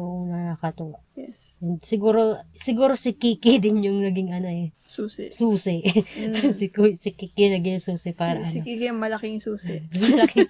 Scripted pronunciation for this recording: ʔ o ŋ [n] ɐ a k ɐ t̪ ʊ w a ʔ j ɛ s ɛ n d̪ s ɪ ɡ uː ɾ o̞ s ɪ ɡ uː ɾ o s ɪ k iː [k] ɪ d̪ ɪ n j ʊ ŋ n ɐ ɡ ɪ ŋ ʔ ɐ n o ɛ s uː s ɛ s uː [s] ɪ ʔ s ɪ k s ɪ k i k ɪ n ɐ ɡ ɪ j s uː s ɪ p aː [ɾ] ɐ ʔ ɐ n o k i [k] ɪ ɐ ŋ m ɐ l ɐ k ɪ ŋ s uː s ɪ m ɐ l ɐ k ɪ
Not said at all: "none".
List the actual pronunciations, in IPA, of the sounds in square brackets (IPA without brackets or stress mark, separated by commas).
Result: n, k, s, ɾ, k